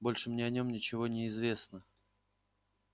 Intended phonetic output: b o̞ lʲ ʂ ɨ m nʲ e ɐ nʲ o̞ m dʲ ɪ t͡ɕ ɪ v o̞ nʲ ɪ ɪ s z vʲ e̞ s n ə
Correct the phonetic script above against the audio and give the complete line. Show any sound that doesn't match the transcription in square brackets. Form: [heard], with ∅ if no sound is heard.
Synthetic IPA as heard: b o̞ lʲ ʂ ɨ m nʲ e ɐ nʲ o̞ m [nʲ] ɪ t͡ɕ ɪ v o̞ nʲ ɪ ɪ [∅] z vʲ e̞ s n ə